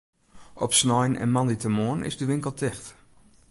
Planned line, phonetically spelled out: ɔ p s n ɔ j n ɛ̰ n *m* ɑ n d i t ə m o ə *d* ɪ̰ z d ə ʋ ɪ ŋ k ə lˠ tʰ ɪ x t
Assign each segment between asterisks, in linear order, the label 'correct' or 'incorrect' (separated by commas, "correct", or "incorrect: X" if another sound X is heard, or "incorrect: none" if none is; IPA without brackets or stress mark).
correct, incorrect: n